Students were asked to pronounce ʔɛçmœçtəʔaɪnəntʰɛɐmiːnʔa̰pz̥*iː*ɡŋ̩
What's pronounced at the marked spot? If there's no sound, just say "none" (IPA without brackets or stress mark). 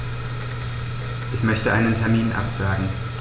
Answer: aː